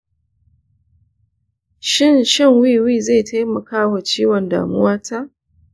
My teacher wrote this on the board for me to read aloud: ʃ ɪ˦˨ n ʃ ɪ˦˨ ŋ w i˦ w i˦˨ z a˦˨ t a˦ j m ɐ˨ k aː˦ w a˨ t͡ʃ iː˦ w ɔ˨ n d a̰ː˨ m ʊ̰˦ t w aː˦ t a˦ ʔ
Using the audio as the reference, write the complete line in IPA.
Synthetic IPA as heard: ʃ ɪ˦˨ n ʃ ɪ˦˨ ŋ w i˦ w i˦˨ z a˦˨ t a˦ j m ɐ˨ k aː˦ w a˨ t͡ʃ iː˦ w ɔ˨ n d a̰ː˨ m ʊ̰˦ w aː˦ t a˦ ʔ